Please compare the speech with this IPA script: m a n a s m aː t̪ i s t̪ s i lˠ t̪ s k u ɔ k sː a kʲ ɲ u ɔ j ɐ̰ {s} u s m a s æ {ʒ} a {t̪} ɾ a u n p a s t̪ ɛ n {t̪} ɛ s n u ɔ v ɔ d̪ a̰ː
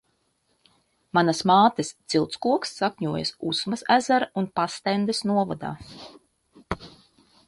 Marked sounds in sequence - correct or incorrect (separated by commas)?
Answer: correct, incorrect, incorrect, incorrect